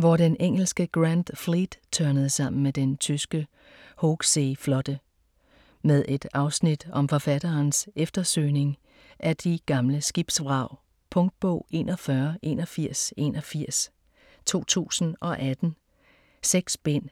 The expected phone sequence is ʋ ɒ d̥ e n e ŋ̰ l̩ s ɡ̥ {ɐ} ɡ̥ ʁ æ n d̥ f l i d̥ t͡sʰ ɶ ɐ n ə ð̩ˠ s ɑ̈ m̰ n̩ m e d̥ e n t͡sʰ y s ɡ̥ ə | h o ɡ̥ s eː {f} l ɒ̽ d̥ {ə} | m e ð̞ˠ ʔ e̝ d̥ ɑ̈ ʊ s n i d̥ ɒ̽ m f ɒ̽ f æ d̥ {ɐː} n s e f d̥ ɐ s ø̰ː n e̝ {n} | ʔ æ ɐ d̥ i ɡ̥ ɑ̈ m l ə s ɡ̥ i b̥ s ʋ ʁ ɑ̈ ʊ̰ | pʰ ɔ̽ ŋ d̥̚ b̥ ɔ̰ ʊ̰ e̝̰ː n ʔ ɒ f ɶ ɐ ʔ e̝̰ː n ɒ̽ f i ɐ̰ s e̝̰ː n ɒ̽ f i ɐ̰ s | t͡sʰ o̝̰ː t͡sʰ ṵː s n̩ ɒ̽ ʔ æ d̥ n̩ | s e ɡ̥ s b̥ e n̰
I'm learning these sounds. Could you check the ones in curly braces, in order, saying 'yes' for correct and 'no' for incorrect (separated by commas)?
no, yes, yes, yes, no